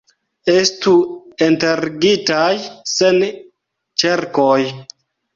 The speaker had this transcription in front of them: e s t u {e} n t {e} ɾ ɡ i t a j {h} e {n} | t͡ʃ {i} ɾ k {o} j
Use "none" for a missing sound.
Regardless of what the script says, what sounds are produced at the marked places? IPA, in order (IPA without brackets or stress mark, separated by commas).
e, e, s, n, e, o